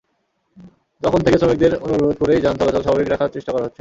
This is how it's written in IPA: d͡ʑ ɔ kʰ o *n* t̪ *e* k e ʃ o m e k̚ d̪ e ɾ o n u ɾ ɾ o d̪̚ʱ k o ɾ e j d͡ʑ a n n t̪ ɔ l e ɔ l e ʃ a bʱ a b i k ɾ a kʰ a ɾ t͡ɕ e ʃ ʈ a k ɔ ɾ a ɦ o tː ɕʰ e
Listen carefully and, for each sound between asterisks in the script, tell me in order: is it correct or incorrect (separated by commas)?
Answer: correct, correct